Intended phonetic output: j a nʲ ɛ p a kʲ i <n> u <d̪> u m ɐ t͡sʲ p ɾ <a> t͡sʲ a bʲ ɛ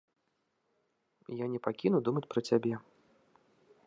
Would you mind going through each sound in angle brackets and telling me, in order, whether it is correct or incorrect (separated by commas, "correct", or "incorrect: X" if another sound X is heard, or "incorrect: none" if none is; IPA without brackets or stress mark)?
correct, correct, incorrect: ɐ